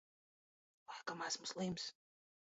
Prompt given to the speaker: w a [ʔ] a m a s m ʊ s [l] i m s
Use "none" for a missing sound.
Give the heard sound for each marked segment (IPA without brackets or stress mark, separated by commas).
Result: k, l